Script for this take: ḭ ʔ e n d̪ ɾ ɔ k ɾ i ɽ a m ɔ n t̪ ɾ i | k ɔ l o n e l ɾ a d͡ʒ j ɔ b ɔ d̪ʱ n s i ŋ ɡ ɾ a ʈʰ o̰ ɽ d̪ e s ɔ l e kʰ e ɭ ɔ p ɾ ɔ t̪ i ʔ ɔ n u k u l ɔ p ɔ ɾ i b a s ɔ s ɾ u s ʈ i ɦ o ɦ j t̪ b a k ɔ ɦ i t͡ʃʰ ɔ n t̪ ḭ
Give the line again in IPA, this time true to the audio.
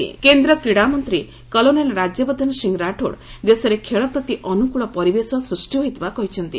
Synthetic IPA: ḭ k e n d̪ ɾ ɔ k ɾ i ɽ a m ɔ n t̪ ɾ i | k ɔ l o n e l ɾ a d͡ʒ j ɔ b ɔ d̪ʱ n s i ŋ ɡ ɾ a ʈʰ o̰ ɽ d̪ e s ɔ ɾ e kʰ e ɭ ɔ p ɾ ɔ t̪ i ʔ ɔ n u k u ɭ ɔ p ɔ ɾ i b e s ɔ s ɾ u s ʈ i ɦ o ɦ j t̪ b a k ɔ ɦ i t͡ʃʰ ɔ n t̪ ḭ